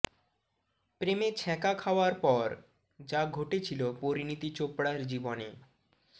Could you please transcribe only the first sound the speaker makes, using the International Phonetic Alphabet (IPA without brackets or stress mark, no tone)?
p